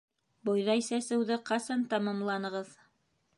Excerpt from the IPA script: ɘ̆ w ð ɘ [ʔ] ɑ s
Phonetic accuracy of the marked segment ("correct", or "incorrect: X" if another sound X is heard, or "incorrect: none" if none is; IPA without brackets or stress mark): incorrect: q